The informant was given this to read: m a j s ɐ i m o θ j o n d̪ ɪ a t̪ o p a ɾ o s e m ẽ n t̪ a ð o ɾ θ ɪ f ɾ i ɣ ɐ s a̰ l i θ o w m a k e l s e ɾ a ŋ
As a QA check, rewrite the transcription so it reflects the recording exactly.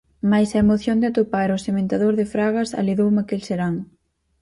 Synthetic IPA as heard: m a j s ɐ e m o θ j o n d̪ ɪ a t̪ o p a ɾ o s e m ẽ n t̪ a ð o ɾ ð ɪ f ɾ a ɣ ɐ s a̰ l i ð o w m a k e l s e ɾ a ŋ